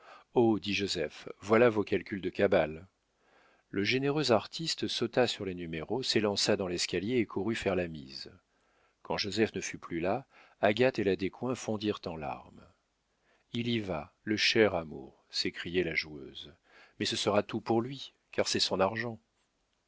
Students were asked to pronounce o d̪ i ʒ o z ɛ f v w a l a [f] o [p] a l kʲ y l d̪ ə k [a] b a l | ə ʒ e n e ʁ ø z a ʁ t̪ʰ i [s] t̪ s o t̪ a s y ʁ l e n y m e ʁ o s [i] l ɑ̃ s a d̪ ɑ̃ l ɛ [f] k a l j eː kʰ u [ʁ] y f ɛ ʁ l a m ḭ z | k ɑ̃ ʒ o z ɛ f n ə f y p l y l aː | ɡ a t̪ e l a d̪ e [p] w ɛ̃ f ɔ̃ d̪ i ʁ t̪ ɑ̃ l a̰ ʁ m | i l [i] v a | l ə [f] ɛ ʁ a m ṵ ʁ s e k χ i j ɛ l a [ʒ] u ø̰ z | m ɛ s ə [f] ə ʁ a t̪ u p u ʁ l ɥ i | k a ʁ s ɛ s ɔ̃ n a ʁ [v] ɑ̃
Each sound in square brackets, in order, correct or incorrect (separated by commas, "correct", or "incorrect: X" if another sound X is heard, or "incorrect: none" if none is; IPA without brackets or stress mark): incorrect: v, incorrect: k, correct, correct, incorrect: e, incorrect: s, correct, incorrect: k, correct, incorrect: ʃ, correct, incorrect: s, incorrect: ʒ